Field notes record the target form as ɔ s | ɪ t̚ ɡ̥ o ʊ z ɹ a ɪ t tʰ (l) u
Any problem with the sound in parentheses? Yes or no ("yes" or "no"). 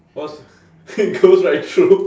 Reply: yes